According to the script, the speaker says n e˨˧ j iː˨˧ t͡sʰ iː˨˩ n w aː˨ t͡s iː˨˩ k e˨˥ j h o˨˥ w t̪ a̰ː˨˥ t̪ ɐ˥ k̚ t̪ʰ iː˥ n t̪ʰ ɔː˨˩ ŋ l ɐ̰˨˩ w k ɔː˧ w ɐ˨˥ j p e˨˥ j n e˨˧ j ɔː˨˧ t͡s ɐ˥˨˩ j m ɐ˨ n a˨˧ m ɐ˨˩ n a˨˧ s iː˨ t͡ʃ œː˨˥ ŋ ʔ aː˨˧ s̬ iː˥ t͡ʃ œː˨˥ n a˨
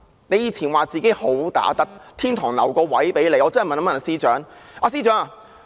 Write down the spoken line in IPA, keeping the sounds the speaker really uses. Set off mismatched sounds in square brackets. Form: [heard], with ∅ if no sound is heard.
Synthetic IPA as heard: n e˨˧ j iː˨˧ t͡sʰ iː˨˩ n w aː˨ t͡s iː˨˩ k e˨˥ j h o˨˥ w t̪ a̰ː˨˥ t̪ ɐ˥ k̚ t̪ʰ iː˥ n t̪ʰ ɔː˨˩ ŋ l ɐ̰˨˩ w k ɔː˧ w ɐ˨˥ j p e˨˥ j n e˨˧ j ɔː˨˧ t͡s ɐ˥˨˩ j m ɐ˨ n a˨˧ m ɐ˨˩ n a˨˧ s [iː˥] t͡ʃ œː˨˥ ŋ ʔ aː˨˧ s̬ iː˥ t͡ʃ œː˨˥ [ŋ] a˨